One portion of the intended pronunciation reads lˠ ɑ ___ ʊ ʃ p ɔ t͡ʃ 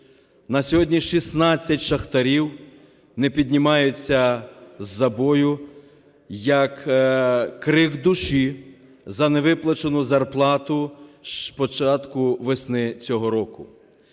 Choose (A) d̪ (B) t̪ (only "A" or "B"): B